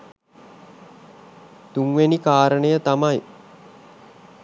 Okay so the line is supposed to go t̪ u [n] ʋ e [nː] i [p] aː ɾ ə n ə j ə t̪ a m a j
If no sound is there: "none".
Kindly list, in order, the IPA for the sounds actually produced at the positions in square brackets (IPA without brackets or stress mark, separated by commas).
ŋ, n, k